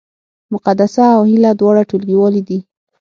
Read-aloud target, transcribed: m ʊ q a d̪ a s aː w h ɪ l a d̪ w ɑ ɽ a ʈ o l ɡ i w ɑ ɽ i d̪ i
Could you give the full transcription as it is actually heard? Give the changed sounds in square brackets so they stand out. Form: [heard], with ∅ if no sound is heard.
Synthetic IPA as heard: m ʊ q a d̪ a s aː w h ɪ l a d̪ w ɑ ɽ a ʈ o l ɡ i w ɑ [l] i d̪ i